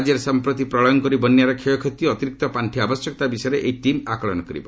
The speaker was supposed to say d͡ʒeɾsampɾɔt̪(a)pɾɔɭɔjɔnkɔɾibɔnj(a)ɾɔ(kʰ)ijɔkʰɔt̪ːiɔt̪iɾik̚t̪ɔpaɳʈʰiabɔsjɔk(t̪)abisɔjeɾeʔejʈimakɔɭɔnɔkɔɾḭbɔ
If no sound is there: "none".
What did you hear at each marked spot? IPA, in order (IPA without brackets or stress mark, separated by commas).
i, a, kʰ, t̪